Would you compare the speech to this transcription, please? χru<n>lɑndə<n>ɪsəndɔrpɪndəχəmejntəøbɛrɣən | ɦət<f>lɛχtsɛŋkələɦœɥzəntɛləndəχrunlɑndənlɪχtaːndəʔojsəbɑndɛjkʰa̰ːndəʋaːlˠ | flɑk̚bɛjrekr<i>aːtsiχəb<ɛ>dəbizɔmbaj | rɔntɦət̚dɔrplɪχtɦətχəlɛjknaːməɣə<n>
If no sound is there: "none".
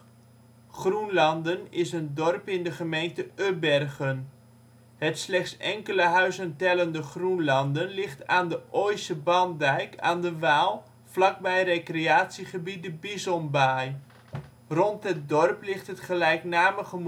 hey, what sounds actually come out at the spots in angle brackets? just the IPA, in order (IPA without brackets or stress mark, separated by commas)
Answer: n, n, s, e, i, m